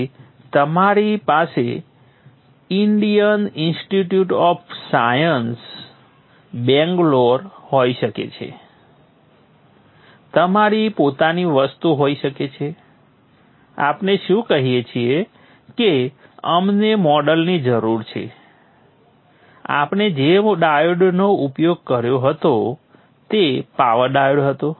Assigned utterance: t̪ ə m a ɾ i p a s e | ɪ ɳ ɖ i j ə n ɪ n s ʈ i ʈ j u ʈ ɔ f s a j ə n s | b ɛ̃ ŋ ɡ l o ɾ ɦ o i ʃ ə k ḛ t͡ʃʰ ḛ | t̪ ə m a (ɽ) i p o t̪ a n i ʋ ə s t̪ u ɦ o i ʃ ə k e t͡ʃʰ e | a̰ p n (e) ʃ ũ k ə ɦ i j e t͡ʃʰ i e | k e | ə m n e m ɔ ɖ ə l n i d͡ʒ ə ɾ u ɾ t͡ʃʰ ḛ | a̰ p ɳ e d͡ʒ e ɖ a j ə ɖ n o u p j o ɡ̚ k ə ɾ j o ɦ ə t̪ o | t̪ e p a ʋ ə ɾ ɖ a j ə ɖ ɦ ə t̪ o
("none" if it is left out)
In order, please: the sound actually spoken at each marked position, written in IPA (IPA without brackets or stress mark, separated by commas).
ɾ, e